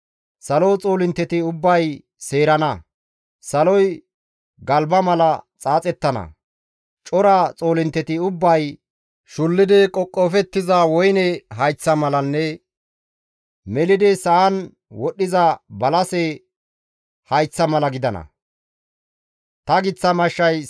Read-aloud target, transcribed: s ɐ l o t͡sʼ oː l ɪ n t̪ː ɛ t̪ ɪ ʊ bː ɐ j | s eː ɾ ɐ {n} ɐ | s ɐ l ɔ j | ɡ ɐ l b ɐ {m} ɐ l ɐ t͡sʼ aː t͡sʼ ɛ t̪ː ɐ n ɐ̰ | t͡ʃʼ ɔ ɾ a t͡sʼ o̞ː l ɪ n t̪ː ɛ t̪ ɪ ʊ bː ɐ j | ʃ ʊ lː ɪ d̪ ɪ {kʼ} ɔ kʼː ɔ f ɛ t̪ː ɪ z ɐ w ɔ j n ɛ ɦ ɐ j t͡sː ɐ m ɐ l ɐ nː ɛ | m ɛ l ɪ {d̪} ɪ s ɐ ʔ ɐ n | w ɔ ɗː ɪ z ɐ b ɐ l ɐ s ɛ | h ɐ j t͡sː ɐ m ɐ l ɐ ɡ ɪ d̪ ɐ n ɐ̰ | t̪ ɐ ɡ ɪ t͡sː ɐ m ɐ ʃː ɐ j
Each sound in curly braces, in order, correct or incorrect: correct, correct, correct, correct

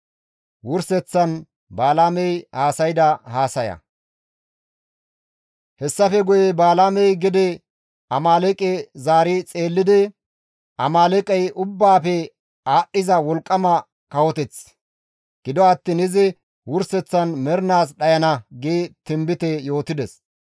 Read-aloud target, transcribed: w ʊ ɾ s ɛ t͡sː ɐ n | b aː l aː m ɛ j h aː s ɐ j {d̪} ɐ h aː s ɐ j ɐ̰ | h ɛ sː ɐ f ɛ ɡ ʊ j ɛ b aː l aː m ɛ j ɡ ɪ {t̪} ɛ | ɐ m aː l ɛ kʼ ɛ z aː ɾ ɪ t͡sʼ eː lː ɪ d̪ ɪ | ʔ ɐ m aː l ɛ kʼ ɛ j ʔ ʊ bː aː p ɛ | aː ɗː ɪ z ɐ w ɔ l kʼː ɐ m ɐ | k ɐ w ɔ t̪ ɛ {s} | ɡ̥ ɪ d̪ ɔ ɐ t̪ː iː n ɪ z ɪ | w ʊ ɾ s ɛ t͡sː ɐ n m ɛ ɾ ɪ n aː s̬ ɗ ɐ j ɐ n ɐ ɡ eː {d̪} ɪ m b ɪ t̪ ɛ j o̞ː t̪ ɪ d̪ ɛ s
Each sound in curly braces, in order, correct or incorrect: correct, incorrect: d̪, incorrect: t͡s, incorrect: t̪

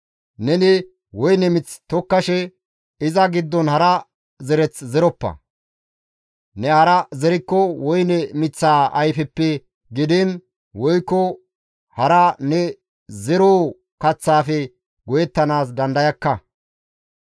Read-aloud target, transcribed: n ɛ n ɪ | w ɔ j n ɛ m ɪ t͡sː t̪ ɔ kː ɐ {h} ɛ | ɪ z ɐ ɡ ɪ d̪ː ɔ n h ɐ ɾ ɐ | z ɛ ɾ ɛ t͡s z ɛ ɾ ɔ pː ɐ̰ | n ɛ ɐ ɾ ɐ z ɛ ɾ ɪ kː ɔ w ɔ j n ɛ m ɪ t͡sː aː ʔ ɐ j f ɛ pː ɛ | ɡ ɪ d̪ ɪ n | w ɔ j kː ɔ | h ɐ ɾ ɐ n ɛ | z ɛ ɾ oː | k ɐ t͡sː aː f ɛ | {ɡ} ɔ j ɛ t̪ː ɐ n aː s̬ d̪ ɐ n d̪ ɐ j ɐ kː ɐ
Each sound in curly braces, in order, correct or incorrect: incorrect: ʃ, correct

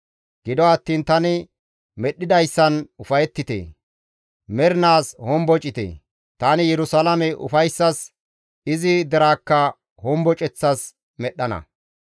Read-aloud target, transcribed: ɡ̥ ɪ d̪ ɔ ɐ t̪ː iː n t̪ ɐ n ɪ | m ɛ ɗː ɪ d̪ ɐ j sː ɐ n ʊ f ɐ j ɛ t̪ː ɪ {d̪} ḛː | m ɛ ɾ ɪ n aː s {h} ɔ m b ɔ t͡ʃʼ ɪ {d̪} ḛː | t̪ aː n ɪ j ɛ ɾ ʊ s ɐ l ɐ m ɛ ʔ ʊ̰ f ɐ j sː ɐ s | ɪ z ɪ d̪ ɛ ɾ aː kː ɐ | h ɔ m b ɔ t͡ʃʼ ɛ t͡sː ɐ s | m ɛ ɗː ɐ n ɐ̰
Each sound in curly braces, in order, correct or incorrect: incorrect: t̪, correct, incorrect: t̪

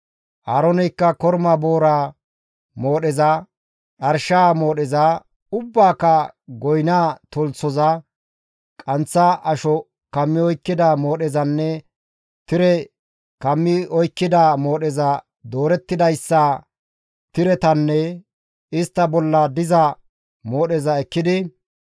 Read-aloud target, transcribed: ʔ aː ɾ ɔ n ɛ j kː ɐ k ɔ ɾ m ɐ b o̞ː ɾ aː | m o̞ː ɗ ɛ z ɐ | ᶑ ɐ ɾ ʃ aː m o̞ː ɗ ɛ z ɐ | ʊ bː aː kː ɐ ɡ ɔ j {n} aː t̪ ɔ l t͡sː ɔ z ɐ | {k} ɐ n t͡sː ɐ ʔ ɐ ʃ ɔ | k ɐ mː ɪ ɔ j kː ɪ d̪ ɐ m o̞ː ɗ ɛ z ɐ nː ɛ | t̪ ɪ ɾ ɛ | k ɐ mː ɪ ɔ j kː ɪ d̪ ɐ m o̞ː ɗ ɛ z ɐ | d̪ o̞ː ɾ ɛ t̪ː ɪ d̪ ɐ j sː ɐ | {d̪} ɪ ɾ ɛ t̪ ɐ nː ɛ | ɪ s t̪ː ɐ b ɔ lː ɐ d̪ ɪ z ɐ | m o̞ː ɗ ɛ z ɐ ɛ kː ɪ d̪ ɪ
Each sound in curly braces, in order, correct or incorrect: correct, incorrect: kʼ, incorrect: t̪

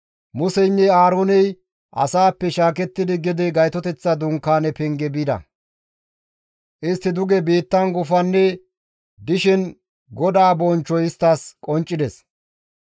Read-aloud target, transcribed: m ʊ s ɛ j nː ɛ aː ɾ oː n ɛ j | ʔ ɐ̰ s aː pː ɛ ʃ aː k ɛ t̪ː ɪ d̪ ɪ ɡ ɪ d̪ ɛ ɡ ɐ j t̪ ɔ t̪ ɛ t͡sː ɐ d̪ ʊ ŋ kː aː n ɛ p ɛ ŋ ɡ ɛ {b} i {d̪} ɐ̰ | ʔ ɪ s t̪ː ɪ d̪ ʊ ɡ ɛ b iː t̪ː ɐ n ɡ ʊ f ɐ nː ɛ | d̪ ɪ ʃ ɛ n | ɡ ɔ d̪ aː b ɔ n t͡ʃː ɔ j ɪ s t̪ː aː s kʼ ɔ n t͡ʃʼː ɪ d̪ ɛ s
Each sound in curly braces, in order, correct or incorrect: correct, correct

